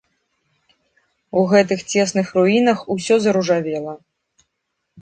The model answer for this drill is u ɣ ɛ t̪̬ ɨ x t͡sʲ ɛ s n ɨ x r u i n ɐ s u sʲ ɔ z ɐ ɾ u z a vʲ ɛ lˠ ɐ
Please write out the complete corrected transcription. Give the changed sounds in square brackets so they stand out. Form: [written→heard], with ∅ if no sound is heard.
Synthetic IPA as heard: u ɣ ɛ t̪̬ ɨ x t͡sʲ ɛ s n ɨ x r u i n ɐ [s→x] u sʲ ɔ z ɐ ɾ u [z→ʐ] a vʲ ɛ lˠ ɐ